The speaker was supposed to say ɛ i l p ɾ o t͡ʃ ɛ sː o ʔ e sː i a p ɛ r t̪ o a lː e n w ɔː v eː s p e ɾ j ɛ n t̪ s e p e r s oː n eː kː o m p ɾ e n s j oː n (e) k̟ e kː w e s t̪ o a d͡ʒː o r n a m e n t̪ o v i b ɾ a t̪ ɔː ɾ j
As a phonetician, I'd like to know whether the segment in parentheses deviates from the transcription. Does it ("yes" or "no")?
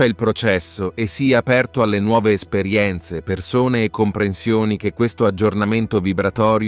yes